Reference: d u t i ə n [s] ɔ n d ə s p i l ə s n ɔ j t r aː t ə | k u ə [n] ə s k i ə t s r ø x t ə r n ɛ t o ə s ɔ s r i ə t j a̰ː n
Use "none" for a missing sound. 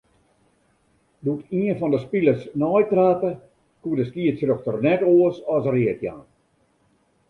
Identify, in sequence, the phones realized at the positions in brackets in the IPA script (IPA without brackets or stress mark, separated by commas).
f, d